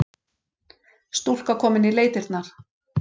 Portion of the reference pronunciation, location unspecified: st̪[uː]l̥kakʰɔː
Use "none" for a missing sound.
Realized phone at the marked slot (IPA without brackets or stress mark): u